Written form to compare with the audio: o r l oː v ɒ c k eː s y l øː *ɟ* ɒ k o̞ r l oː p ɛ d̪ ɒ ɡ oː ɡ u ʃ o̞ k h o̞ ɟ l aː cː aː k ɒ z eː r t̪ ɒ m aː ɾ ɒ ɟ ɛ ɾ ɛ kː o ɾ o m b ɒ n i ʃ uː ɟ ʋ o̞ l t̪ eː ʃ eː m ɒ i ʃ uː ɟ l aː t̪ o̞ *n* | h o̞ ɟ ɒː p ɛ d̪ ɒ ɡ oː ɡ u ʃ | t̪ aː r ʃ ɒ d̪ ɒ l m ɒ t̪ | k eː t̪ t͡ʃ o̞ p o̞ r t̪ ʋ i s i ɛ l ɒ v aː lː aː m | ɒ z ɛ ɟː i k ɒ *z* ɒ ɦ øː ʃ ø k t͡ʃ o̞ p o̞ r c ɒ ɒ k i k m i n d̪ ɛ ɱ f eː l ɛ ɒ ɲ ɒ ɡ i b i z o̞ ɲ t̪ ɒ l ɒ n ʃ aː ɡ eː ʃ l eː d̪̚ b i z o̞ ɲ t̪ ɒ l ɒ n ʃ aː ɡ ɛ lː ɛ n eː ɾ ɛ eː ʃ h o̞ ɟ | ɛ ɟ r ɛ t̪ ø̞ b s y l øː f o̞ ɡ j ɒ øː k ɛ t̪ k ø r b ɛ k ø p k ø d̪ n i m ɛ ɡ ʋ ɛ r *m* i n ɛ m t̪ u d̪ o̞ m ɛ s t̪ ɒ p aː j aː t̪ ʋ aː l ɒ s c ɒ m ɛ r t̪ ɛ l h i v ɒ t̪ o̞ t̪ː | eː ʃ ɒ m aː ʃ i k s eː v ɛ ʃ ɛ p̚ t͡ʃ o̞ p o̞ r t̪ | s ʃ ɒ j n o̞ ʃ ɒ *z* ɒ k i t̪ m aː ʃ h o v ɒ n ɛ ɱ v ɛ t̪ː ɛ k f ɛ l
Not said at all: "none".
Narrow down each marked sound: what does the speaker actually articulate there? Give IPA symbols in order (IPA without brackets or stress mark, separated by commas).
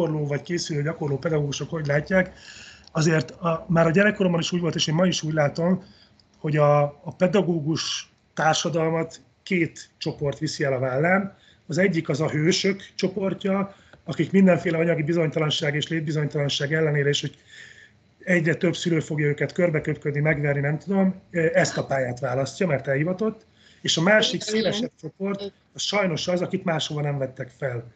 ɟ, m, z, n, z